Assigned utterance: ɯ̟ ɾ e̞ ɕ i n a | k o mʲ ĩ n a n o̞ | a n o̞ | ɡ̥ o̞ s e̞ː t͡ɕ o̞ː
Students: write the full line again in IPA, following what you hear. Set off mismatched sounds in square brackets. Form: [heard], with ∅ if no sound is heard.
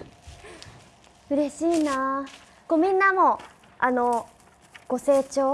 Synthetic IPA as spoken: ɯ̟ ɾ e̞ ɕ [iː] n a | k o mʲ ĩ [nː] a [m] o̞ | a n o̞ | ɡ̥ o̞ s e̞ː t͡ɕ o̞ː